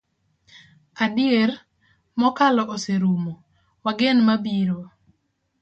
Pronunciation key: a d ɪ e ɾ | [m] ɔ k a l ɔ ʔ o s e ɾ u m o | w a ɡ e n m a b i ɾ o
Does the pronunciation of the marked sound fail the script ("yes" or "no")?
no